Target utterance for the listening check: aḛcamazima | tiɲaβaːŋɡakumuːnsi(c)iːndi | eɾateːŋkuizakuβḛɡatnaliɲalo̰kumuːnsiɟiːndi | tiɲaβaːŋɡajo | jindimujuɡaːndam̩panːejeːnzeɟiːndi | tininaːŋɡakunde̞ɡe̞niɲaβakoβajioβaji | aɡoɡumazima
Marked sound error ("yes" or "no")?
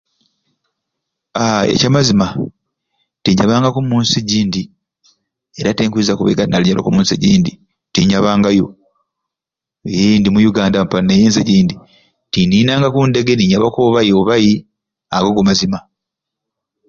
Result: yes